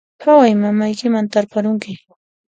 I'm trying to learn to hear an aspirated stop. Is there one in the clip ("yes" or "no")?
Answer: no